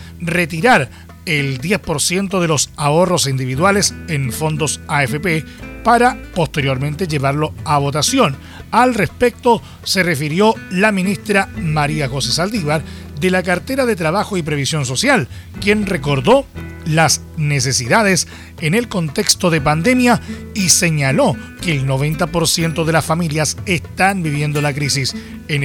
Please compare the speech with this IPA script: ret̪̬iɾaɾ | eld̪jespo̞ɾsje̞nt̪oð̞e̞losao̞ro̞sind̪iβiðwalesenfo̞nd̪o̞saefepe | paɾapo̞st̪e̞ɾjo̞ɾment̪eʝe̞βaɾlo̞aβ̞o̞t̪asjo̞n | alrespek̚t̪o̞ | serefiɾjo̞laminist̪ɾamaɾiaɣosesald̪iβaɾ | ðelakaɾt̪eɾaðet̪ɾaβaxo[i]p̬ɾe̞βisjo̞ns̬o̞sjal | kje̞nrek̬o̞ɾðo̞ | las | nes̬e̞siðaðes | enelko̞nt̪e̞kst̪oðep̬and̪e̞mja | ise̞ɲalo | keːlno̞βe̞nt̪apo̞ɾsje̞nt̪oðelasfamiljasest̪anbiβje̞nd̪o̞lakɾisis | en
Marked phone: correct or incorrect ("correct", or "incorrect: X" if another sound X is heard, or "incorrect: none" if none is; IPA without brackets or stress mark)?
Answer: correct